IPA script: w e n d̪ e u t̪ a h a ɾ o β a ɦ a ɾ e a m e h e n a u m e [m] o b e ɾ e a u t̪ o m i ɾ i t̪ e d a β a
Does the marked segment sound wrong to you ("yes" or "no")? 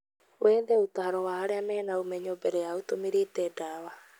yes